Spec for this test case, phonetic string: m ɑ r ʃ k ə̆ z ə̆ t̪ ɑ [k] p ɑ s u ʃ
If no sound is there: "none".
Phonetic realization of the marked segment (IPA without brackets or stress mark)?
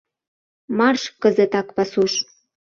k